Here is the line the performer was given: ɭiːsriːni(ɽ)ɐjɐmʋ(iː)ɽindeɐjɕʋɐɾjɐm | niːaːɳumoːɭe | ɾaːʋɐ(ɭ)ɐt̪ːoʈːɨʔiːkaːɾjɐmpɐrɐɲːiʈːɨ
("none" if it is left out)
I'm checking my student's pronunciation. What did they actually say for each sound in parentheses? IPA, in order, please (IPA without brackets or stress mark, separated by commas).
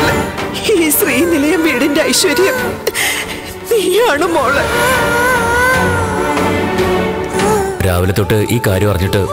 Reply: l, iː, l